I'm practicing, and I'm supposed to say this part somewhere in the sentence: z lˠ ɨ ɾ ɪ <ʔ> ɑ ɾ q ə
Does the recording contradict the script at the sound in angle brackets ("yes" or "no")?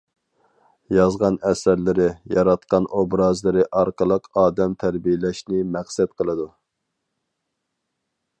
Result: no